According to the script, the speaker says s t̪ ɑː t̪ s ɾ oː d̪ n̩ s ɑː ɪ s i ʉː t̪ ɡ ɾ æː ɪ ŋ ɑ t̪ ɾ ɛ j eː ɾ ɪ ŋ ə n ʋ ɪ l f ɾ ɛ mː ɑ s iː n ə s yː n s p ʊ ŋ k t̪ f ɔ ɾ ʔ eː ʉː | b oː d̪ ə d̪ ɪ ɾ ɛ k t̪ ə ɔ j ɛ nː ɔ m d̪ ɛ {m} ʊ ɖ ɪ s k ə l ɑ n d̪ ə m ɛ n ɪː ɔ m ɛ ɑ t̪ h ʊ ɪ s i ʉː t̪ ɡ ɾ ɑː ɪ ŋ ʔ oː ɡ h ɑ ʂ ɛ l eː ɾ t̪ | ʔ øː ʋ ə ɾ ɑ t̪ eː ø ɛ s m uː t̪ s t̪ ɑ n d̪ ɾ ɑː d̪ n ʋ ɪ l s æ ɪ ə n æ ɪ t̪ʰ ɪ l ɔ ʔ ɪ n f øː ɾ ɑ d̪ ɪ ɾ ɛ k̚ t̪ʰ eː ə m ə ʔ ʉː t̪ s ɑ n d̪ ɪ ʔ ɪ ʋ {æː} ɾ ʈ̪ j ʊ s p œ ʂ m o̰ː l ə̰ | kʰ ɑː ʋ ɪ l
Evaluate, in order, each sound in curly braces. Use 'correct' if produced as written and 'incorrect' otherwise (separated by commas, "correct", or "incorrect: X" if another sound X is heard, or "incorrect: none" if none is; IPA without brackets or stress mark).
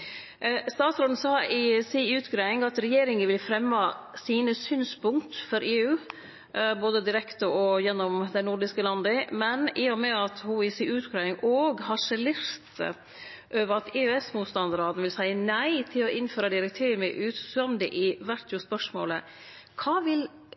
incorrect: n, incorrect: æ